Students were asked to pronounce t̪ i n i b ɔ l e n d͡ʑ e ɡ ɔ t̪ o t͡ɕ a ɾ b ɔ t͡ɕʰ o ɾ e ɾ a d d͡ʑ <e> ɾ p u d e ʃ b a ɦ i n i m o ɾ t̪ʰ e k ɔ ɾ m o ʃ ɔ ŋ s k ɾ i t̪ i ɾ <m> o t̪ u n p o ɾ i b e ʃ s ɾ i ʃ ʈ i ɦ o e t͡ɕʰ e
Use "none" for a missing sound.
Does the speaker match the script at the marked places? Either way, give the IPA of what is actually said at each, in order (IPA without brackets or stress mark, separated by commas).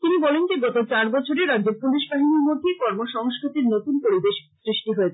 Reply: e, n